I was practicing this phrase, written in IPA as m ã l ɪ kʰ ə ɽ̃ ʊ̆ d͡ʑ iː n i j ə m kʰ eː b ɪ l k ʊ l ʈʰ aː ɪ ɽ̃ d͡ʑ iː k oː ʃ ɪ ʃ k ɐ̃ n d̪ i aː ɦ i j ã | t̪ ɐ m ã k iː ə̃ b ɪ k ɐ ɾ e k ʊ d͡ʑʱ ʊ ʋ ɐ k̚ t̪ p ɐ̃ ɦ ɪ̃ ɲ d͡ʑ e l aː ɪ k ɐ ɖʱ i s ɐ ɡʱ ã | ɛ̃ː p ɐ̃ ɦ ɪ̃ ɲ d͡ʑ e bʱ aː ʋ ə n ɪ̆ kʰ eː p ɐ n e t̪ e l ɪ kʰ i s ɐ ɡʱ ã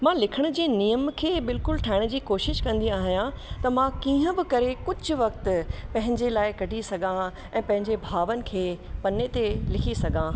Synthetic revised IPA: m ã l ɪ kʰ ə ɽ̃ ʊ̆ d͡ʑ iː n i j ə m kʰ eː b ɪ l k ʊ l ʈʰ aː ɪ ɽ̃ d͡ʑ iː k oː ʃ ɪ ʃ k ɐ̃ n d̪ i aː ɦ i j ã | t̪ ɐ m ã k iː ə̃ b ɪ k ɐ ɾ e k ʊ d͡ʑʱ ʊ ʋ ɐ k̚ t̪ p ɐ̃ ɦ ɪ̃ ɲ d͡ʑ e l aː ɪ k ɐ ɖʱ i s ɐ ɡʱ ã | ɛ̃ː p ɐ̃ ɦ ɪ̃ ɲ d͡ʑ e bʱ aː ʋ ə n ɪ̆ kʰ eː p ɐ n e t̪ e l ɪ kʰ i s ɐ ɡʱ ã